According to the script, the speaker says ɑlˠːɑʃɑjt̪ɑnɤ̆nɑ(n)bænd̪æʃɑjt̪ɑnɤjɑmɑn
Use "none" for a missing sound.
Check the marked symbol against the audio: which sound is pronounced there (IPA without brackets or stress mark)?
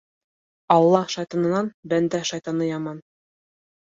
n